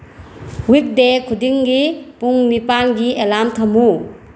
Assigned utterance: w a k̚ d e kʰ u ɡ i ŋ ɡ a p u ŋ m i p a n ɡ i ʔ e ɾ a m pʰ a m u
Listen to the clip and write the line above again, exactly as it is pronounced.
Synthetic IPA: w i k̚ d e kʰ u d i ŋ ɡ i p u ŋ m i p a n ɡ i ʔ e l a m tʰ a m u